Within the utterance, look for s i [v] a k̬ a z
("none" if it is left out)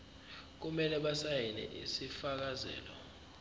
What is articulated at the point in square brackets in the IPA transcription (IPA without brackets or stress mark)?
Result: f